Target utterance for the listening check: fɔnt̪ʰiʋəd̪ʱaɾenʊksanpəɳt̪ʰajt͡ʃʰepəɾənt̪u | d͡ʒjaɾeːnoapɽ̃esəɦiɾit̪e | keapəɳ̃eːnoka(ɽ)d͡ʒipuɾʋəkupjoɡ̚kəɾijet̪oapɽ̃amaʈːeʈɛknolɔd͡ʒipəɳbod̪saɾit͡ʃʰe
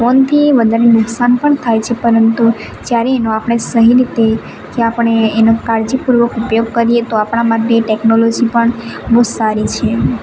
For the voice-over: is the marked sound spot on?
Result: no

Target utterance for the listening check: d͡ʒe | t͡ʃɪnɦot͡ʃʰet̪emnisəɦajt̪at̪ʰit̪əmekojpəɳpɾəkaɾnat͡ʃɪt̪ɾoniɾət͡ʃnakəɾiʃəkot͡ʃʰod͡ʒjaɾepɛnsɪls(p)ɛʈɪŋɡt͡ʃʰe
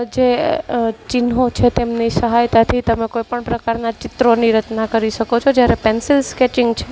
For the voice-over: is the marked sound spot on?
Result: no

